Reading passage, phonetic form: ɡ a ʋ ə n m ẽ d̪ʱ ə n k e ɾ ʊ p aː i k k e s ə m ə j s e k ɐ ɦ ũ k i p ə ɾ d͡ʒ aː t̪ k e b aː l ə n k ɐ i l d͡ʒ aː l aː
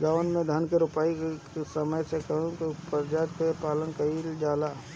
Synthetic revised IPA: ɡ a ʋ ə n m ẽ d̪ʱ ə n k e ɾ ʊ p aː i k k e s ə m ə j s e k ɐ ɦ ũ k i p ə ɾ d͡ʒ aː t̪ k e p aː l ə n k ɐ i l d͡ʒ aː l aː